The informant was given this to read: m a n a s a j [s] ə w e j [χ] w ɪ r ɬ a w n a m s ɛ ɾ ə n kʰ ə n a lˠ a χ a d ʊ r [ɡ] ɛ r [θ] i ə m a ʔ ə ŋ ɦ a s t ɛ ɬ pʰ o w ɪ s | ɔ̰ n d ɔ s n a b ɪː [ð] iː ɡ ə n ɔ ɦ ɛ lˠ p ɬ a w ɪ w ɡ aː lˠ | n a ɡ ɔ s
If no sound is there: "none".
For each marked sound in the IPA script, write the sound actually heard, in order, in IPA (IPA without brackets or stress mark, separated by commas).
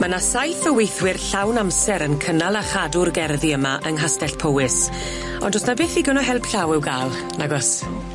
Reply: θ, θ, ɡ, ð, θ